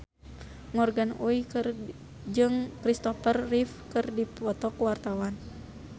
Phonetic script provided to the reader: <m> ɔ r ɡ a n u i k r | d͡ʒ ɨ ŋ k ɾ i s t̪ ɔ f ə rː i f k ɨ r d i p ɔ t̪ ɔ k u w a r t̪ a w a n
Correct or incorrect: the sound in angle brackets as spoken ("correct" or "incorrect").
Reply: incorrect